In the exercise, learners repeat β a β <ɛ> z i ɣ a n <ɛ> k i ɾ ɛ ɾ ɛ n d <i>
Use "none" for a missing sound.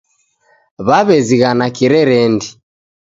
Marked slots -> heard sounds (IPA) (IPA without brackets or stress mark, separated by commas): ɛ, a, i